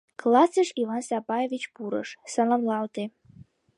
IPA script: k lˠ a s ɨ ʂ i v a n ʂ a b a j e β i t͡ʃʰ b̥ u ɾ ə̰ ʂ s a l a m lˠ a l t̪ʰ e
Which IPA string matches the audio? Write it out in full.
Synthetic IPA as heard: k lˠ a s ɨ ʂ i v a n s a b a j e v i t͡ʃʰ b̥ u ɾ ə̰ ʂ s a l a m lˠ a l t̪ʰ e